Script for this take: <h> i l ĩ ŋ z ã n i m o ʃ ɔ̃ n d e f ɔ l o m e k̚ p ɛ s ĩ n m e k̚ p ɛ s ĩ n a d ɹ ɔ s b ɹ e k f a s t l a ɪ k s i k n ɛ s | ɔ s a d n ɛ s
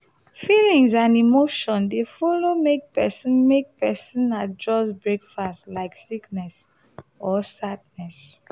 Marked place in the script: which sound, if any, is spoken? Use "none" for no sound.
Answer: f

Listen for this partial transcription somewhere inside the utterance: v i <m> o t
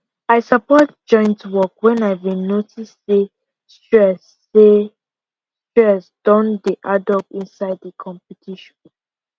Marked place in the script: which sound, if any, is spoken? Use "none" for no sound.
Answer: n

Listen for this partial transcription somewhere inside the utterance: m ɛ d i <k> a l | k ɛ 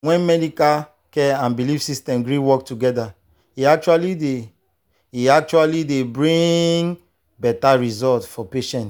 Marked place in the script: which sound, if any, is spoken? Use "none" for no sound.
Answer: k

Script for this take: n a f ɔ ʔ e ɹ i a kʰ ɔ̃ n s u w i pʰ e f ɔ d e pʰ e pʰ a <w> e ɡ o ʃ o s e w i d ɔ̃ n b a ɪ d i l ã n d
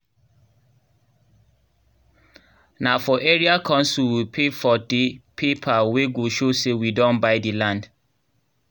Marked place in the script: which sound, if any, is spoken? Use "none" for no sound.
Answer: w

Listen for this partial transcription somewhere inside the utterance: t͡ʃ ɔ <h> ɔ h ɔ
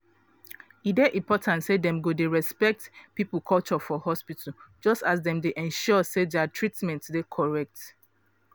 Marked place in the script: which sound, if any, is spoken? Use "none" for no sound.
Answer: f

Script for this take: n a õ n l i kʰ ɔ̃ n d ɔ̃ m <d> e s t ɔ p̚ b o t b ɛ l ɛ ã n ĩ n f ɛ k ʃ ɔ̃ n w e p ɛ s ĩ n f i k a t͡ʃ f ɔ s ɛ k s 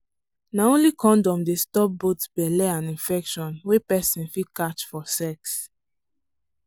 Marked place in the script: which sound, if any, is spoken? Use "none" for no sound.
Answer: d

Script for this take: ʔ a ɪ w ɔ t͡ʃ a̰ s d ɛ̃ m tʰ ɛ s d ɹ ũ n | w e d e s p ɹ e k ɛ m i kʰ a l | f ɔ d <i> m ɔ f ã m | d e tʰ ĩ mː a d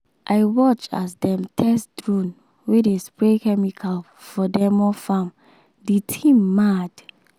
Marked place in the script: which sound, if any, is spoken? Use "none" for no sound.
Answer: ɛ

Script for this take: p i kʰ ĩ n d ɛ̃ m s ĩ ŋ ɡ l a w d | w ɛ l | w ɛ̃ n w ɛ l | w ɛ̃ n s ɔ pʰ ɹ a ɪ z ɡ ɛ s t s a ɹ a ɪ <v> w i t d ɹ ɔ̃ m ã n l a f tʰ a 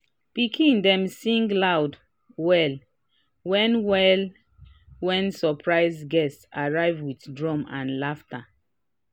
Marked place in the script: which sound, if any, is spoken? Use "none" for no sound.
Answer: v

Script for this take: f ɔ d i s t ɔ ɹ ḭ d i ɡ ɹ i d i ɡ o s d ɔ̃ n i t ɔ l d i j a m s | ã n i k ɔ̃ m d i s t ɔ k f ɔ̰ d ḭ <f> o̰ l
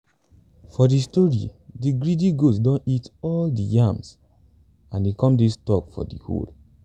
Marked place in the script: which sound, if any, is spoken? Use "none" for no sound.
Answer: h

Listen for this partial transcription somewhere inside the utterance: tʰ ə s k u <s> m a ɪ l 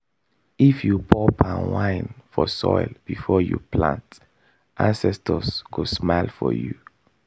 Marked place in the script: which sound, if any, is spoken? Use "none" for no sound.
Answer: s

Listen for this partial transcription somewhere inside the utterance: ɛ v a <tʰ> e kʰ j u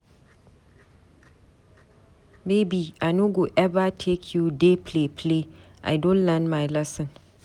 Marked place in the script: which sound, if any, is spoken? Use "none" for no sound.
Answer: tʰ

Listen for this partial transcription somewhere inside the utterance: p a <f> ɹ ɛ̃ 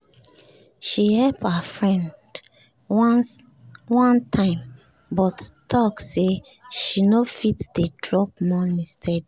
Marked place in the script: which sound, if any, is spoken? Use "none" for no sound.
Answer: f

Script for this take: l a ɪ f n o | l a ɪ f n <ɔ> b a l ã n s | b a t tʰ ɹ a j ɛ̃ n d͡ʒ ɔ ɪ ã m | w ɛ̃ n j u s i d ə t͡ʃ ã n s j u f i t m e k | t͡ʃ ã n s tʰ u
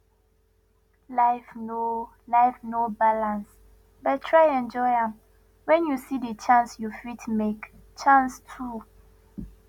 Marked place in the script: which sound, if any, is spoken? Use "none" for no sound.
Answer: o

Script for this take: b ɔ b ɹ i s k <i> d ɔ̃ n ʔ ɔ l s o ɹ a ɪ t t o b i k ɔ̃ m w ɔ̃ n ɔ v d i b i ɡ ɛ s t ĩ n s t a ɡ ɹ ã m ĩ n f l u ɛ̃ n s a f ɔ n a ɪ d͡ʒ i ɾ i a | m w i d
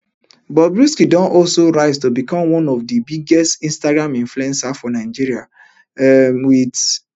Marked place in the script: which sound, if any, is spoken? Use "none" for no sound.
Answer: i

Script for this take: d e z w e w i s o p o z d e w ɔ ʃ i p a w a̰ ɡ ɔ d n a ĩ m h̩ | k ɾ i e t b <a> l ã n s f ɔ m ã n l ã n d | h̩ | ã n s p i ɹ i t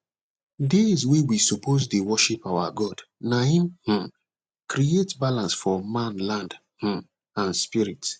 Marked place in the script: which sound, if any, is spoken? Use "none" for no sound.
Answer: a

